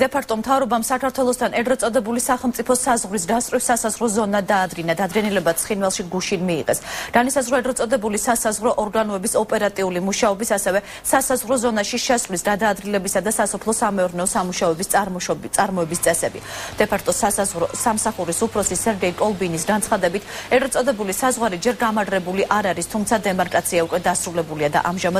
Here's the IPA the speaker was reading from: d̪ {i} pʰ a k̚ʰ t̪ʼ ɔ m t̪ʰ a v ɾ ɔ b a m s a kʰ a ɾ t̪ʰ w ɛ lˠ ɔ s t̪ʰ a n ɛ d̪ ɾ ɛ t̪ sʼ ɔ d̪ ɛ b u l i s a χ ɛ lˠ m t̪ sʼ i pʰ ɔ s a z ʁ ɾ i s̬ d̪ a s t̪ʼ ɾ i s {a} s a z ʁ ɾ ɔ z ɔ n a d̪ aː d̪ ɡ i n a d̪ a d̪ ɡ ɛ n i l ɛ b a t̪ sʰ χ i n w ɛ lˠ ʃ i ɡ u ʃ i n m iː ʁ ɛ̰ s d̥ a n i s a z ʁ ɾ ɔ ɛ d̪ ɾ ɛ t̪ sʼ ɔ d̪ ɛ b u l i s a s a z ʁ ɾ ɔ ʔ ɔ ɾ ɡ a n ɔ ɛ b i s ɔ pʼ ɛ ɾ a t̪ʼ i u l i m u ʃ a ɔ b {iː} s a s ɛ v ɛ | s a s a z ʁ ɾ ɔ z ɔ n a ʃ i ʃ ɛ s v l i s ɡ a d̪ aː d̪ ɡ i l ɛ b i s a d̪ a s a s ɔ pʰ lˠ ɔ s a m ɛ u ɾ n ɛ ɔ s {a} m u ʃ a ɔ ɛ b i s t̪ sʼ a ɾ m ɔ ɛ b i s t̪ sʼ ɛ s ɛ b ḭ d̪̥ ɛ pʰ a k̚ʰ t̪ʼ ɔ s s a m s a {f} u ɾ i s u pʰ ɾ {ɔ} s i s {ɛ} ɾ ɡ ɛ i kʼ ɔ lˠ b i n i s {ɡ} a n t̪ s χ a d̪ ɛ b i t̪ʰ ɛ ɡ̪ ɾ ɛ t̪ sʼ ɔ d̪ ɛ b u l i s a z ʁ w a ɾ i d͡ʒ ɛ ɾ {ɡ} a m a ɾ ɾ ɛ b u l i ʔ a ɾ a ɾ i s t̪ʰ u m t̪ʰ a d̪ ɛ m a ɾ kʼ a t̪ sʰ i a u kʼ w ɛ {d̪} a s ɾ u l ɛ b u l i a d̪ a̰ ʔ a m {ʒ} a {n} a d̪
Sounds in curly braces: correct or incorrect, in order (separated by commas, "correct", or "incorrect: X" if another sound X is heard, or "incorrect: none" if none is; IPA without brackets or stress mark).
incorrect: ɛ, correct, incorrect: i, correct, incorrect: χ, correct, correct, correct, correct, correct, correct, incorrect: m